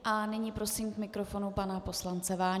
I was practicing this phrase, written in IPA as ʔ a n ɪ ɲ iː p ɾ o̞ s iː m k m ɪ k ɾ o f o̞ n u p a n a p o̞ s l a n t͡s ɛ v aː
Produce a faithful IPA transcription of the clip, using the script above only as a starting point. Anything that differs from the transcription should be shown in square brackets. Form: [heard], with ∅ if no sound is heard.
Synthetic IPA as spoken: ʔ a n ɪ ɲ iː p ɾ o̞ s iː m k m ɪ k ɾ o f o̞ n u p a n a p o̞ s l a n t͡s ɛ v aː